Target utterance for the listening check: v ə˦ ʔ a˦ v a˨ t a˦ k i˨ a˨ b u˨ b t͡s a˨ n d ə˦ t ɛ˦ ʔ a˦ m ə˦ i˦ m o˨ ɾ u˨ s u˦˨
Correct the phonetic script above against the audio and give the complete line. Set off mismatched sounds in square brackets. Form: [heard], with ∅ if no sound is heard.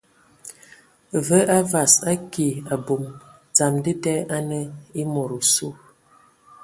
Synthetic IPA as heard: v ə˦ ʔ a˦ v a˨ [s] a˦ k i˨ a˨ b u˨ [m] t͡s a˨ [m] d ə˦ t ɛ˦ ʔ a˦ [n] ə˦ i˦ m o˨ ɾ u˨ s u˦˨